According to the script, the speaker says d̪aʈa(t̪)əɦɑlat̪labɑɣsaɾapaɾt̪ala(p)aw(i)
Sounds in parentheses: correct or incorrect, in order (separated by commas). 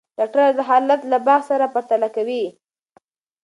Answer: incorrect, incorrect, correct